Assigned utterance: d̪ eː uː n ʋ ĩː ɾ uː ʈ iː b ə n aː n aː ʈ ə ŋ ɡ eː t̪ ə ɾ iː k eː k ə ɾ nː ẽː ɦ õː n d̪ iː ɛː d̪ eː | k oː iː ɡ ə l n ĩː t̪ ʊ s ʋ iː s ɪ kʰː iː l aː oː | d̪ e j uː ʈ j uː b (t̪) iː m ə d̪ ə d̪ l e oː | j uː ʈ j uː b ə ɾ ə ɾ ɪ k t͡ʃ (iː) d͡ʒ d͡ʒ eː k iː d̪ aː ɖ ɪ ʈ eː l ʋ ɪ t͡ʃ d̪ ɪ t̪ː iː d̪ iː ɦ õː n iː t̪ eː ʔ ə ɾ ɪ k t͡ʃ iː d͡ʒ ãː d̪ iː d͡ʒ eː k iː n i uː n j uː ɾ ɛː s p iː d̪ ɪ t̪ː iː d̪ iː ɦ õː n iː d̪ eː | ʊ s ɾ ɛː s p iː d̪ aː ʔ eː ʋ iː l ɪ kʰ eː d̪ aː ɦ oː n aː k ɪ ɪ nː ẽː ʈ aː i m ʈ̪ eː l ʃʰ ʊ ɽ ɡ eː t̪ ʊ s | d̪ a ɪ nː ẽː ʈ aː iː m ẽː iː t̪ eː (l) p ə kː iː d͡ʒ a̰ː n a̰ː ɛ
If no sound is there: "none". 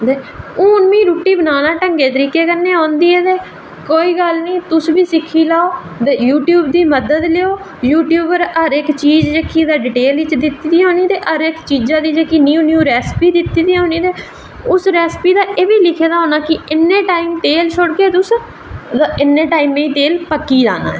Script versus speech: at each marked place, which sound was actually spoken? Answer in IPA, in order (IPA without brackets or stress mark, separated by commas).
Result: d̪, iː, l